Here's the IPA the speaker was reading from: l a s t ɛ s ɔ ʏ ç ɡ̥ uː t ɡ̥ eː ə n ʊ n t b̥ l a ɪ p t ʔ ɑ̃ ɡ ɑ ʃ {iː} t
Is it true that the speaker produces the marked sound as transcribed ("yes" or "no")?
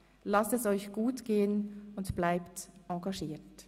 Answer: yes